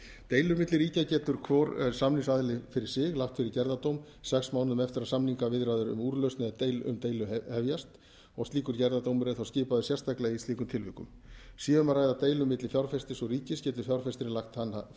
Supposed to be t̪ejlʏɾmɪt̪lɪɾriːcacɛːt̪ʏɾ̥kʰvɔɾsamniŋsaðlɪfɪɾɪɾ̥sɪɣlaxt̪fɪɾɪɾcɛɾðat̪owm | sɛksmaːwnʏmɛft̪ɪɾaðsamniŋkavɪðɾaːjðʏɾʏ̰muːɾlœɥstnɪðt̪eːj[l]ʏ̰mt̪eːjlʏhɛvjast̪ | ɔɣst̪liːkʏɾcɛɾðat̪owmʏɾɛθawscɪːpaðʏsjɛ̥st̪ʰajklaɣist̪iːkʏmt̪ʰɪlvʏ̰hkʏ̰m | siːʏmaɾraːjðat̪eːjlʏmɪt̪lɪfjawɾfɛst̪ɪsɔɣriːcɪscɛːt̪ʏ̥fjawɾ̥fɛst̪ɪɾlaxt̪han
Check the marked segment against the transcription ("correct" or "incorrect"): correct